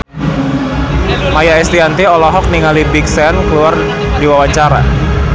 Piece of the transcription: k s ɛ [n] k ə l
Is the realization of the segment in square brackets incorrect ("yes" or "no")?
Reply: no